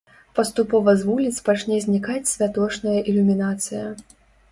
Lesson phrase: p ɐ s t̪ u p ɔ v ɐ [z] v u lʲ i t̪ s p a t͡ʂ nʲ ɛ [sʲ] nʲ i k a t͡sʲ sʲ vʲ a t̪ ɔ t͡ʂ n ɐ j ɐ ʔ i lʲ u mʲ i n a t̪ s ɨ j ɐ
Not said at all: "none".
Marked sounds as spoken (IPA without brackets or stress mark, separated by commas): z, zʲ